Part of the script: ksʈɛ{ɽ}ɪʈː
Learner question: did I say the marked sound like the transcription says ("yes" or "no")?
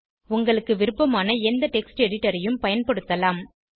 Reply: yes